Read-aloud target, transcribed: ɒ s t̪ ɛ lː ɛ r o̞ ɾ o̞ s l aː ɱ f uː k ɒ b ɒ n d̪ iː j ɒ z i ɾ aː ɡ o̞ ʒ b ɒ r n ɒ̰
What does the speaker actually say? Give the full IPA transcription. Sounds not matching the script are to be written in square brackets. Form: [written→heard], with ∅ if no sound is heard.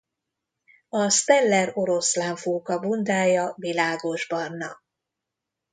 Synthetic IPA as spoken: ɒ s t̪ ɛ lː ɛ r o̞ ɾ o̞ s l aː ɱ f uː k ɒ b [ɒ→u] n d̪ [iː→aː] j ɒ [z→v] i [ɾ→l] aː ɡ o̞ ʒ b ɒ r n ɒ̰